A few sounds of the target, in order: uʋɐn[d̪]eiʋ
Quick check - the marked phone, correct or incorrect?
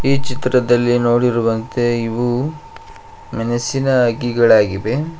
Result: incorrect